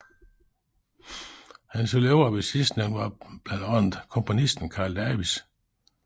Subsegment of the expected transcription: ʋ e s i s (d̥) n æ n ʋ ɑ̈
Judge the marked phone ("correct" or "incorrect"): correct